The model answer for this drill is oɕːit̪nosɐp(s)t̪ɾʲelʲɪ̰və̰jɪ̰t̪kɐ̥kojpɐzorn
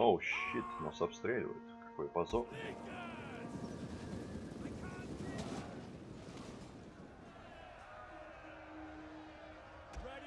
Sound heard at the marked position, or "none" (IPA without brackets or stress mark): s